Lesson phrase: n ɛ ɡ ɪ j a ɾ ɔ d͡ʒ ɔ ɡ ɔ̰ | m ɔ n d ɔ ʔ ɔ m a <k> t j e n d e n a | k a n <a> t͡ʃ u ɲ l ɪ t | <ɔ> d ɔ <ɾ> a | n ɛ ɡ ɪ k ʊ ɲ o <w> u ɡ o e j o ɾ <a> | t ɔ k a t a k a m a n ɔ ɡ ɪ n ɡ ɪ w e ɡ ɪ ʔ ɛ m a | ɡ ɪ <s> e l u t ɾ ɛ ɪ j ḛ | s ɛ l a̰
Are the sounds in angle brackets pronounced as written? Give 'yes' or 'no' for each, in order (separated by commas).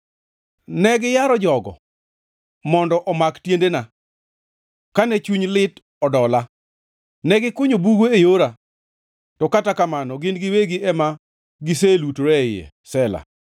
yes, no, yes, no, no, yes, yes